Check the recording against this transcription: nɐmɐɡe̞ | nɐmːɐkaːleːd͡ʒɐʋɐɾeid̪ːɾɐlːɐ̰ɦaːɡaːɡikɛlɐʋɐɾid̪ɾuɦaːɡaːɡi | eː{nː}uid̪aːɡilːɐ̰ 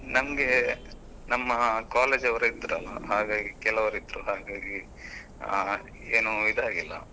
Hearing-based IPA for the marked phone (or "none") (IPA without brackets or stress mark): n